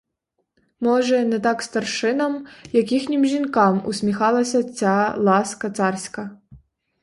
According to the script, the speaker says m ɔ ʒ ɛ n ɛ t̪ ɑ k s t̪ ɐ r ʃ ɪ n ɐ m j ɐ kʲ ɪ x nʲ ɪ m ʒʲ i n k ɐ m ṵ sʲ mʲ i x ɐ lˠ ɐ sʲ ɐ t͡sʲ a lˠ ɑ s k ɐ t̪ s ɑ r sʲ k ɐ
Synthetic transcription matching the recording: m ɔ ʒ ɛ n ɛ t̪ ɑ k s t̪ ɐ r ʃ ɪ n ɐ m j ɐ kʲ i x nʲ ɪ m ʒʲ i n k ɑ m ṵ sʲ mʲ i x ɑ lˠ ɐ sʲ ɐ t͡sʲ a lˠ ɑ s k ɐ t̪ s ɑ r sʲ k ɐ